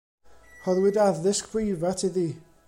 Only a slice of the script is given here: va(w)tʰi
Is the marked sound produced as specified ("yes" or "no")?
no